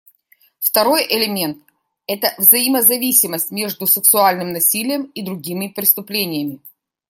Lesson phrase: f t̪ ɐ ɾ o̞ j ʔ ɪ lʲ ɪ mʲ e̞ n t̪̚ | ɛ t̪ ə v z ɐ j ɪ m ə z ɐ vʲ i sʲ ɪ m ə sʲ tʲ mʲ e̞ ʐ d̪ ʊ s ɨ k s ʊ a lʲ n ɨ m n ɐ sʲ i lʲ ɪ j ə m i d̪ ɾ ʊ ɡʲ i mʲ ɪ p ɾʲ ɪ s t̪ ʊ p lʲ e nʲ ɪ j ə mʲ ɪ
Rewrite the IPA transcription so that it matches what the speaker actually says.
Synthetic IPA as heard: f t̪ ɐ ɾ o̞ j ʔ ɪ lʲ ɪ mʲ e̞ n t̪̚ | ɛ t̪ ə v z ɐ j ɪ m ə z ɐ vʲ i sʲ ɪ m ə sʲ tʲ mʲ e̞ ʐ d̪ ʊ s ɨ k s ʊ a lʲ n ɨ m n ɐ sʲ i lʲ ɪ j ə m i d̪ ɾ ʊ ɡʲ i mʲ ɪ p ɾʲ ɪ s t̪ ʊ p lʲ e nʲ ɪ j ə mʲ ɪ